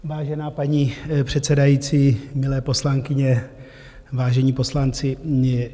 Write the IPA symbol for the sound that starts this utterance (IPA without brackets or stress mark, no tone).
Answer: v